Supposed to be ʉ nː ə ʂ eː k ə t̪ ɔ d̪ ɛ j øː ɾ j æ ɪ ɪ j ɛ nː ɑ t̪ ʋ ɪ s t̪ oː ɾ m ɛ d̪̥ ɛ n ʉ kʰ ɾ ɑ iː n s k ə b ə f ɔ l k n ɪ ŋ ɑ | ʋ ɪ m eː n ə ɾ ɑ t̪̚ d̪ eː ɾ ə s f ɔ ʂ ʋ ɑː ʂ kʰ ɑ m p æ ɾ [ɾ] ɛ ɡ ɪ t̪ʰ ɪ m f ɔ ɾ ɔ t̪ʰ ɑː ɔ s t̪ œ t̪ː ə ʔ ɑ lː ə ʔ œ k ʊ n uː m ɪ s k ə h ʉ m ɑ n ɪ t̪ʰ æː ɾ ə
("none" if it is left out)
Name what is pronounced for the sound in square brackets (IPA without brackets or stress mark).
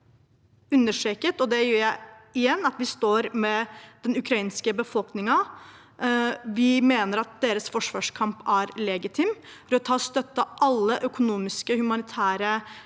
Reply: l